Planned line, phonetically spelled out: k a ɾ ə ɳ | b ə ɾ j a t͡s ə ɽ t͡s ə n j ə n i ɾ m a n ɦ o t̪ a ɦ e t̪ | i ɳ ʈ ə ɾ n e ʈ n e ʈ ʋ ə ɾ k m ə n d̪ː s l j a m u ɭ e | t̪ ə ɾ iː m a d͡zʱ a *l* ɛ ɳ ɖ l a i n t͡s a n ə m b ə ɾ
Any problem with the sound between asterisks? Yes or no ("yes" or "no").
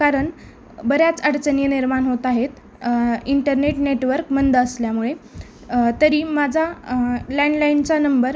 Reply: no